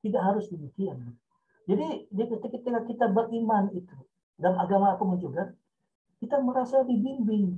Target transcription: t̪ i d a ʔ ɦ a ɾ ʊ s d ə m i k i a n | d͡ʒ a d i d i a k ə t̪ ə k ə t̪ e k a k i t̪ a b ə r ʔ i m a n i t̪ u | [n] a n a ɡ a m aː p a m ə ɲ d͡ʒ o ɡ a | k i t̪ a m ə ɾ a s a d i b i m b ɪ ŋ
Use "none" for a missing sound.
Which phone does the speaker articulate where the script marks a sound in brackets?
d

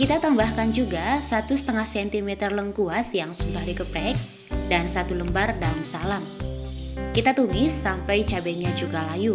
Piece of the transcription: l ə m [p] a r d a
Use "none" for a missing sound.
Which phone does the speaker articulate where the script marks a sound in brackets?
b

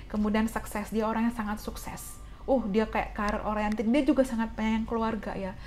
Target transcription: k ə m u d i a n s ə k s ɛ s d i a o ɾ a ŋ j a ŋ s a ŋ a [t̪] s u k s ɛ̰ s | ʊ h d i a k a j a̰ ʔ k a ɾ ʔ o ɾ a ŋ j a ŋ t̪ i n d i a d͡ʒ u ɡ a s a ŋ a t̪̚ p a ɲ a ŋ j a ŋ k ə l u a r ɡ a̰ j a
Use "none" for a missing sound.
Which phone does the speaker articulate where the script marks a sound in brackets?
t̪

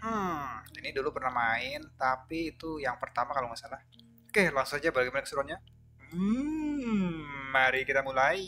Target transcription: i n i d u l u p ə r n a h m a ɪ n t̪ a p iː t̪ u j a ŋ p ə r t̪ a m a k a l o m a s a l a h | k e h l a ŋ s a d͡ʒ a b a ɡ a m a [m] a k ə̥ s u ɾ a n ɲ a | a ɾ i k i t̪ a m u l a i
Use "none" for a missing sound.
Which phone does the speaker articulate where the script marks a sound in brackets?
n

